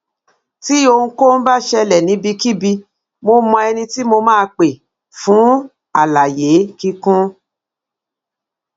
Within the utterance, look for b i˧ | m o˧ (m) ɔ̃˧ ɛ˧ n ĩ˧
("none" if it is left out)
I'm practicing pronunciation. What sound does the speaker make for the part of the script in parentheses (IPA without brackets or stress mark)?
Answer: m